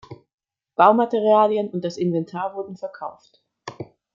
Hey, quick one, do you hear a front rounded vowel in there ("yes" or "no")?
no